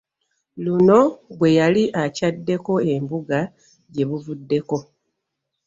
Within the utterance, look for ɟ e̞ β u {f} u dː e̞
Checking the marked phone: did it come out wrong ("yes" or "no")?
yes